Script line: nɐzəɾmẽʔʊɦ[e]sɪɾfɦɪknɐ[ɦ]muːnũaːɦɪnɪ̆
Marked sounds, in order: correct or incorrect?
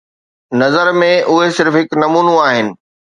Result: correct, incorrect

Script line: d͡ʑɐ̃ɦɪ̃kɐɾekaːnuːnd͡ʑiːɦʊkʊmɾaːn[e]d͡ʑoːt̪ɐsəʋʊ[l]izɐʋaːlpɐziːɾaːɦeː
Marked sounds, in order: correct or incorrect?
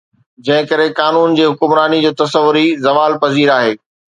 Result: incorrect, incorrect

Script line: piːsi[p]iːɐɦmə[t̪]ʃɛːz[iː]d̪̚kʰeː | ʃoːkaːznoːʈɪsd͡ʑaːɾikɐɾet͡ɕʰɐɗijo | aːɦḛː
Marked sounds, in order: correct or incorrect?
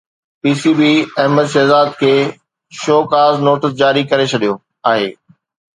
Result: incorrect, incorrect, incorrect

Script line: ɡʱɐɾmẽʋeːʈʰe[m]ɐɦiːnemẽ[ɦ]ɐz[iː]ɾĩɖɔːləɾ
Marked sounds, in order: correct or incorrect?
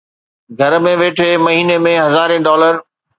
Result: correct, correct, incorrect

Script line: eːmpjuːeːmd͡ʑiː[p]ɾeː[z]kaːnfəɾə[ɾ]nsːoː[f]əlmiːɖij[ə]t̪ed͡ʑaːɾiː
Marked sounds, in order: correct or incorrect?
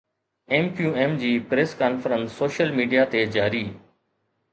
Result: correct, incorrect, incorrect, incorrect, incorrect

